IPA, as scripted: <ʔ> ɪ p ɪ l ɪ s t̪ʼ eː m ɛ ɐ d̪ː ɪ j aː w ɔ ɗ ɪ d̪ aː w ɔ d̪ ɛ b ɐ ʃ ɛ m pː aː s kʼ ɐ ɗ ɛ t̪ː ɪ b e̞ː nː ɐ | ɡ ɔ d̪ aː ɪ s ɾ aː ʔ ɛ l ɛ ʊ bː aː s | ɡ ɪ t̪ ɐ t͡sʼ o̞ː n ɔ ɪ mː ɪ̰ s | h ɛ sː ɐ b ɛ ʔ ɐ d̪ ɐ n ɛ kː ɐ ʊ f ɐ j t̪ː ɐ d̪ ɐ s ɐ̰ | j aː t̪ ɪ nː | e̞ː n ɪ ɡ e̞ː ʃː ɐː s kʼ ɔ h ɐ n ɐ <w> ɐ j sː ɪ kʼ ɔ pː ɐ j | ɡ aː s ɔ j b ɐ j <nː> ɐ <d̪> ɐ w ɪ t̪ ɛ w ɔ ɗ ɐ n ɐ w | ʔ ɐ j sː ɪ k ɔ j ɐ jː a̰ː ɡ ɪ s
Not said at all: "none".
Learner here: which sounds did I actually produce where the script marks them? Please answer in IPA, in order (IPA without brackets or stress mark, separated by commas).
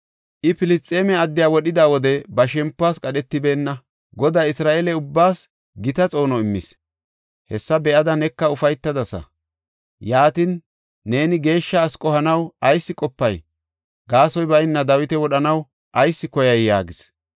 ʔ, w, nː, d̪